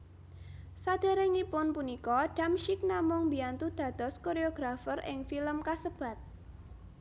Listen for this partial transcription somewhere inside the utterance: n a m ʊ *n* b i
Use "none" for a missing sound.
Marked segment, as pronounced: ŋ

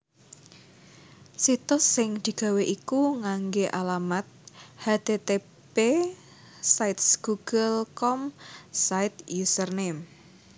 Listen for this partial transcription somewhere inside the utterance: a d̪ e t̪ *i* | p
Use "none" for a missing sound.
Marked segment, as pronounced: e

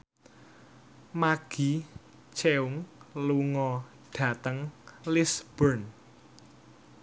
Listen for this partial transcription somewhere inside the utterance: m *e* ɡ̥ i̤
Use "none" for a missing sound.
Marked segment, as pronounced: a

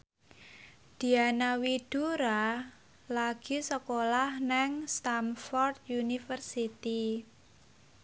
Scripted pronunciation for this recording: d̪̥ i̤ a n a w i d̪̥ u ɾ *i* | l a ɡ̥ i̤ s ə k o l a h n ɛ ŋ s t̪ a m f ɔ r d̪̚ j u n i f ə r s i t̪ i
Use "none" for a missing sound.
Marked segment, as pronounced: a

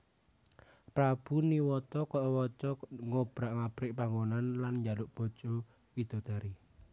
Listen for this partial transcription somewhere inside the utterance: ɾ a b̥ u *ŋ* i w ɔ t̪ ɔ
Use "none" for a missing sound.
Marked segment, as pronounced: n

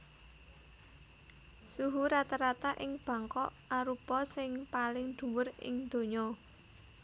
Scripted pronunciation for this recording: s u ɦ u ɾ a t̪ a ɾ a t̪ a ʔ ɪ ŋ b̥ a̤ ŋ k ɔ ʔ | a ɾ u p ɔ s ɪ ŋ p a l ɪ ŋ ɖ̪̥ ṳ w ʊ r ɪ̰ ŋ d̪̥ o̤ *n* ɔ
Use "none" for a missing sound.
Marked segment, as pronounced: ɲ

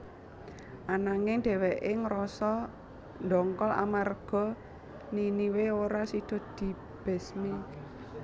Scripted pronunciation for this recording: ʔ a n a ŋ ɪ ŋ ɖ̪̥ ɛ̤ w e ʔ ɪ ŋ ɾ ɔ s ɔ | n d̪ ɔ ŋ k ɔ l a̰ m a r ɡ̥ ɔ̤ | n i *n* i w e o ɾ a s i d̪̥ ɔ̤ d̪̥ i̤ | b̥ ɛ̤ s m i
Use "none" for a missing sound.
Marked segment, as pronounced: n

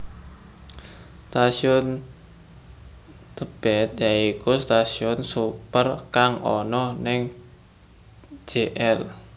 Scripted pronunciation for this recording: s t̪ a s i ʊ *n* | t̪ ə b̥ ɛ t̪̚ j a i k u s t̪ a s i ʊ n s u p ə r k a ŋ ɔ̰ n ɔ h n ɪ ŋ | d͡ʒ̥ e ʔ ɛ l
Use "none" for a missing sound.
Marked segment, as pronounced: n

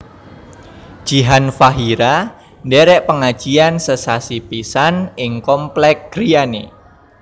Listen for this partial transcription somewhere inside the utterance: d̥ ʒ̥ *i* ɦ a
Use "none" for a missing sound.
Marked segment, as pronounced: i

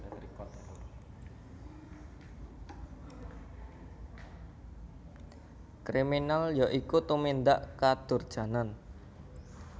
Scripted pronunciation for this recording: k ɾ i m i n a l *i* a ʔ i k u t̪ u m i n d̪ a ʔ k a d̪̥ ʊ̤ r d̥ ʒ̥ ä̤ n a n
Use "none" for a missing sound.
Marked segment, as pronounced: j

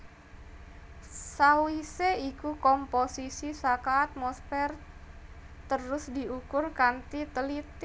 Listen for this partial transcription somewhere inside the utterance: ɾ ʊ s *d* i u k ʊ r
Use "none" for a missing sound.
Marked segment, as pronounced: d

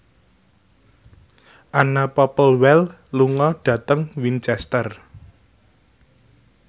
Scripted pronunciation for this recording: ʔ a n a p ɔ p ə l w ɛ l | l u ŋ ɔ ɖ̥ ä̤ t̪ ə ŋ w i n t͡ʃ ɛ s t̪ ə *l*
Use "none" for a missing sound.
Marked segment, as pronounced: r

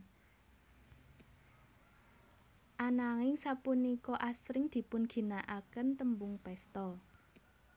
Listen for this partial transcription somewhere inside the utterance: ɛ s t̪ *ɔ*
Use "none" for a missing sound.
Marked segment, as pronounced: ɔ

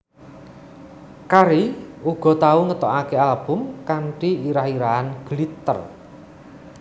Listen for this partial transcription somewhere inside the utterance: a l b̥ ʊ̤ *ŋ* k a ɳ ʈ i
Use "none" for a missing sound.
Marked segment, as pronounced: m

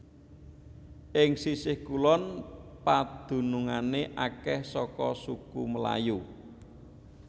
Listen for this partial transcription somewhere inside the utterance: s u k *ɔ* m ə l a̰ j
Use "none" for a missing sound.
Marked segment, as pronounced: u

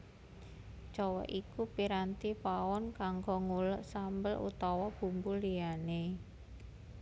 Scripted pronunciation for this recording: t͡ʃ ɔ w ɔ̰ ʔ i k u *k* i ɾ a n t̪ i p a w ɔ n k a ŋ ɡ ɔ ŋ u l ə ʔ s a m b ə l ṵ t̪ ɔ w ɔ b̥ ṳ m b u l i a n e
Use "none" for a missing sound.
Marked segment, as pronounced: p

